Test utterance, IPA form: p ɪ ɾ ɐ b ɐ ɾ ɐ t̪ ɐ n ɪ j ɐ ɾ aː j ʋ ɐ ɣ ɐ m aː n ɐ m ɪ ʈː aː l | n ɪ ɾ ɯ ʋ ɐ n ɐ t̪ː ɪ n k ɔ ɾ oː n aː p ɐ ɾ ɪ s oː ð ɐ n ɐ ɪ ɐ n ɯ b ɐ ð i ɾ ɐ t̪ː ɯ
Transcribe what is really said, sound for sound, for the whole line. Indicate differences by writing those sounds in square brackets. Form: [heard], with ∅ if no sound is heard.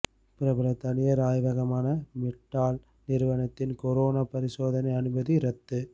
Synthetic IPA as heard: p ɪ ɾ ɐ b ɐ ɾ ɐ t̪ ɐ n ɪ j ɐ ɾ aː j ʋ ɐ ɣ ɐ m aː n ɐ m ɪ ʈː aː l | n ɪ ɾ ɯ ʋ ɐ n ɐ t̪ː ɪ n k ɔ ɾ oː n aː p ɐ ɾ ɪ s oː ð ɐ n ɐ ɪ ɐ n ɯ b ɐ ð i ɾ ɐ t̪ː ɯ